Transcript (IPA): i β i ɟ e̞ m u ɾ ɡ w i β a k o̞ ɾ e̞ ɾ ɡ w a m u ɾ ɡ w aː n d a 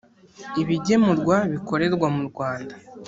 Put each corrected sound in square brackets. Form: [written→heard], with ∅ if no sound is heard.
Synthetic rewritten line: i β i ɟ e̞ m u ɾ ɡ w [i→a] β [a→i] k o̞ ɾ e̞ ɾ ɡ w a m u ɾ ɡ w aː n d a